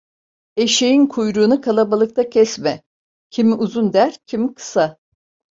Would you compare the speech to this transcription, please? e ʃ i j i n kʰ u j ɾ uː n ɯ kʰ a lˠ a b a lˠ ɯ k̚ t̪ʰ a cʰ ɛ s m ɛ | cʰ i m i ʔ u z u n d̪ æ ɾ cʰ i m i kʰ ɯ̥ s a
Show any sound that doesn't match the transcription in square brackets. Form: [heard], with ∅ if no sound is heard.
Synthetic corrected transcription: e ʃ [e] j i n kʰ u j ɾ uː n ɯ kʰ a lˠ a b a lˠ ɯ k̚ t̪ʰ a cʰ ɛ s m ɛ | cʰ i m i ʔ u z u n d̪ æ ɾ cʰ i m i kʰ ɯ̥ s a